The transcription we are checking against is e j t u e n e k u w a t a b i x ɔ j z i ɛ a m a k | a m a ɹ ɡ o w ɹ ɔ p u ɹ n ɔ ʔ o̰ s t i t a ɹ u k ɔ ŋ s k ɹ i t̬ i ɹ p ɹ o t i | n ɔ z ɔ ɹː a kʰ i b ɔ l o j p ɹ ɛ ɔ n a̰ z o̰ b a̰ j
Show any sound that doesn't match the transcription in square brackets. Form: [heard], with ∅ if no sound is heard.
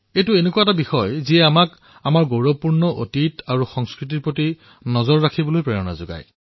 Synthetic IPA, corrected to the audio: e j t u e n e k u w a t a b i x ɔ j z i ɛ a m a k | a m a ɹ ɡ o w ɹ ɔ p u ɹ n ɔ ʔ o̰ [∅] t i t a ɹ u [x] ɔ ŋ s k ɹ i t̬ i ɹ p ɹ o t i | n ɔ z ɔ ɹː a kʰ i b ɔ l o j p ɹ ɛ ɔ n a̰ z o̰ [ɡ] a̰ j